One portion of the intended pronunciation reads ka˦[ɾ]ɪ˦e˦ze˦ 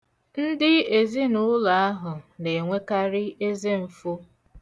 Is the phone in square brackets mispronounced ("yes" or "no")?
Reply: no